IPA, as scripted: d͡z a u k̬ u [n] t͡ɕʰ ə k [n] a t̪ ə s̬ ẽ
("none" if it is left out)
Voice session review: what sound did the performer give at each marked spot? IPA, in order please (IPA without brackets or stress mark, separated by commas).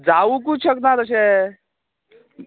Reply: none, n